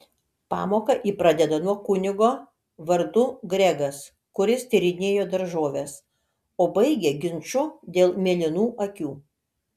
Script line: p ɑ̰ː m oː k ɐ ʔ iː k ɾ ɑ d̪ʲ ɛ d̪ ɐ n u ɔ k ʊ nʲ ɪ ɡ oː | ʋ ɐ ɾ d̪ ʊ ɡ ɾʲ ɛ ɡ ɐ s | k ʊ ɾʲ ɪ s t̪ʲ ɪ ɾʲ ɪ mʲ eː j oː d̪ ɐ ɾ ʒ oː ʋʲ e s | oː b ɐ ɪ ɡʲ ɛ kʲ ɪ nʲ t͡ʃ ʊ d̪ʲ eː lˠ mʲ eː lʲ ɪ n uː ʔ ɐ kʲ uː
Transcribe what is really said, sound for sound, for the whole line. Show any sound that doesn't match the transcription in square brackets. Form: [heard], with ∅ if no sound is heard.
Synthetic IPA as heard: p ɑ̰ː m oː k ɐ ʔ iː [p] ɾ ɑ d̪ʲ ɛ d̪ ɐ n u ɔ k ʊ nʲ ɪ ɡ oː | ʋ ɐ ɾ d̪ ʊ ɡ ɾʲ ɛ ɡ ɐ s | k ʊ ɾʲ ɪ s t̪ʲ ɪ ɾʲ ɪ [nʲ] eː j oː d̪ ɐ ɾ ʒ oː ʋʲ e s | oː b ɐ ɪ ɡʲ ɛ [ɡʲ] ɪ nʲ t͡ʃ ʊ d̪ʲ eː lˠ mʲ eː lʲ ɪ n uː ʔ ɐ kʲ uː